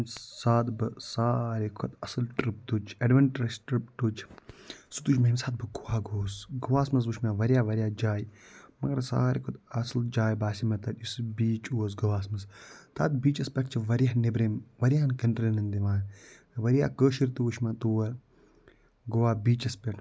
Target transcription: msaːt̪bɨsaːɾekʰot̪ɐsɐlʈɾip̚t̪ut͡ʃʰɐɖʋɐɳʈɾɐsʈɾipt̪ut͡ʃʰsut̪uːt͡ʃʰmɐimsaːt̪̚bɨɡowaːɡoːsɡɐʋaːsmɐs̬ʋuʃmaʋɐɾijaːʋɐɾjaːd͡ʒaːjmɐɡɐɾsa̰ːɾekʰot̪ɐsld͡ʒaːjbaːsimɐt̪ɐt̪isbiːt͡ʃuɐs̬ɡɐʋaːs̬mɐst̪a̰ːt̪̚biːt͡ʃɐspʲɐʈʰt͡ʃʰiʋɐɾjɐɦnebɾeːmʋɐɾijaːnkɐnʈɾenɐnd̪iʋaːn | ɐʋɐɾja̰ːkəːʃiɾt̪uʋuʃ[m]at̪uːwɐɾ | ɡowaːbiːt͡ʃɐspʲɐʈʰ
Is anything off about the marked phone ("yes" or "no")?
no